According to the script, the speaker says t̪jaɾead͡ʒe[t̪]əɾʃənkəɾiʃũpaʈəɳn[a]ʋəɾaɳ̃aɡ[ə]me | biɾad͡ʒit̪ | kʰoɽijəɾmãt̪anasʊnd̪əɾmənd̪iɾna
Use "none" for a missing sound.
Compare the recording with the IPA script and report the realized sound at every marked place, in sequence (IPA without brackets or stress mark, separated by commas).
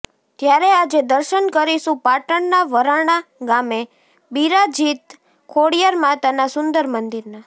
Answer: d̪, a, a